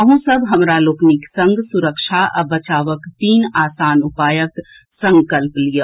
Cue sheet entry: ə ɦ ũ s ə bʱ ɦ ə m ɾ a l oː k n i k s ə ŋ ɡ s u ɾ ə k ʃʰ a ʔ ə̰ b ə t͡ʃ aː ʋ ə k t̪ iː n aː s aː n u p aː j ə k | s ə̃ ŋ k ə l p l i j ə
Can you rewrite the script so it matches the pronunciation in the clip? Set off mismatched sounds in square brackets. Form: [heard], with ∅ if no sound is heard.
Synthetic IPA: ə ɦ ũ s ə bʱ ɦ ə m ɾ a l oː k n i k s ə ŋ ɡ s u ɾ ə k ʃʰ a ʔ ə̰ b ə t͡ʃ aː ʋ ə k t̪ iː n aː s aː n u p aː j ə k | s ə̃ ŋ k ə l p l i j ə